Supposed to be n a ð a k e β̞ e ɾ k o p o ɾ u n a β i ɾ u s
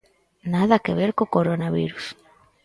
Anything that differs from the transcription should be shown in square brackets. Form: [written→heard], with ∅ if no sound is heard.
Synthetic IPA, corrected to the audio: n a ð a k e β̞ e ɾ k o [p→k] o ɾ [u→o] n a β i ɾ u s